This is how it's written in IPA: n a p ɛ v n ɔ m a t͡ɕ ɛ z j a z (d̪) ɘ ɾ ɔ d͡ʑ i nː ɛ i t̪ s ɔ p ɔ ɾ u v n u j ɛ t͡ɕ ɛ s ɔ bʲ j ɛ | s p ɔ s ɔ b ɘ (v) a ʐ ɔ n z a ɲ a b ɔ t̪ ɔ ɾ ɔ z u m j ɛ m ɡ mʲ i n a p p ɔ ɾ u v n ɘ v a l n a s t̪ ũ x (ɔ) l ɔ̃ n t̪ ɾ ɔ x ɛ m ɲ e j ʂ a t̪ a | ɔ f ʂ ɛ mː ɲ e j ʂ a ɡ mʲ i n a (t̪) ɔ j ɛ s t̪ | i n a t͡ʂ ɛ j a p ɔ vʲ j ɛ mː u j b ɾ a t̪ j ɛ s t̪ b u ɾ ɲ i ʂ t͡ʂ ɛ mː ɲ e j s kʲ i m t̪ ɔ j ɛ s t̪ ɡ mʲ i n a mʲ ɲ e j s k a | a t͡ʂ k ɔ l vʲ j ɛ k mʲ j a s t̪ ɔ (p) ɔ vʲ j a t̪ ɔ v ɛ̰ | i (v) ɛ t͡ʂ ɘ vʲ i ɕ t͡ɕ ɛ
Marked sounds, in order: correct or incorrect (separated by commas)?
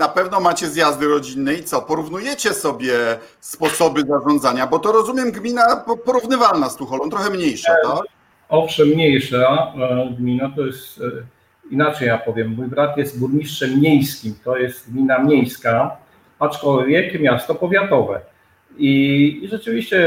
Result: correct, incorrect, correct, correct, correct, incorrect